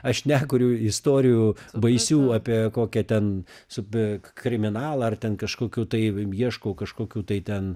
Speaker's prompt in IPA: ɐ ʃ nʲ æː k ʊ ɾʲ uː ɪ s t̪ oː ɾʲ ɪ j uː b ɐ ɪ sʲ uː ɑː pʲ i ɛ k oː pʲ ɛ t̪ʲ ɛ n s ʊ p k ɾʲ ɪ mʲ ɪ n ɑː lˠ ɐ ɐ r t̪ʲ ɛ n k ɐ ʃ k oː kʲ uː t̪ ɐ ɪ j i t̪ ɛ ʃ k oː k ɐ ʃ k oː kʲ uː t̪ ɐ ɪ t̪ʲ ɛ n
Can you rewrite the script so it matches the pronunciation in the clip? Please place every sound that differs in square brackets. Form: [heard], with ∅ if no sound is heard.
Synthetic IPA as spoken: ɐ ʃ nʲ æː k ʊ ɾʲ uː ɪ s t̪ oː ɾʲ ɪ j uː b ɐ ɪ sʲ uː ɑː pʲ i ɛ k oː [kʲ] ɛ t̪ʲ ɛ n s ʊ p k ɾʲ ɪ mʲ ɪ n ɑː lˠ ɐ ɐ r t̪ʲ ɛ n k ɐ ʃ k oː kʲ uː t̪ ɐ ɪ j i [∅] ɛ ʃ k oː k ɐ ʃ k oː kʲ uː t̪ ɐ ɪ t̪ʲ ɛ n